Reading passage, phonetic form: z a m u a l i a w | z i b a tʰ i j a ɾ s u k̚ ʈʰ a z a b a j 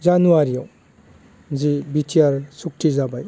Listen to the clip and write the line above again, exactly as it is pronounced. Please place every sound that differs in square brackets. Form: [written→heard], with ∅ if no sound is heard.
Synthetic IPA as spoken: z a [m→n] u a [l→ɾ] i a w | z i b [a→i] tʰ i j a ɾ s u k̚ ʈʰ [a→i] z a b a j